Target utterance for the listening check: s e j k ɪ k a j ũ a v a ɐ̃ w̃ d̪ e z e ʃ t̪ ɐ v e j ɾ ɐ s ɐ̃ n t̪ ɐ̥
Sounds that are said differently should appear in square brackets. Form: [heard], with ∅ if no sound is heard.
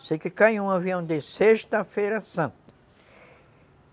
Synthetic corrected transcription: s e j k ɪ k a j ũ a v [i] ɐ̃ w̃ d̪ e [s] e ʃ t̪ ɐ [f] e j ɾ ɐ s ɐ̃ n t̪ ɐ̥